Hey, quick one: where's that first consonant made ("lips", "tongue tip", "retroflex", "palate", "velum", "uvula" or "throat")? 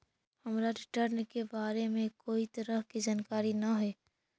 throat